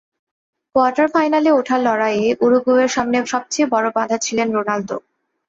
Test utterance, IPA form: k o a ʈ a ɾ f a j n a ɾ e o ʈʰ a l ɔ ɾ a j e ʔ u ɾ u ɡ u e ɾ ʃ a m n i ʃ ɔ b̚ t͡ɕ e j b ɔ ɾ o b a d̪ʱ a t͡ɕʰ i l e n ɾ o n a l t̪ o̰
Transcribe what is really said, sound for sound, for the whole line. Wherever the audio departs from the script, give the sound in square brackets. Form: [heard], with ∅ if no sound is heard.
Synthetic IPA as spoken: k o a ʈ a ɾ f a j n a [l] e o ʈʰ a l ɔ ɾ a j e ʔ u ɾ u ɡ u e ɾ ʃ a m n [e] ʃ ɔ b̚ t͡ɕ e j b ɔ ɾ o b a d̪ʱ a t͡ɕʰ i l e n ɾ o n a l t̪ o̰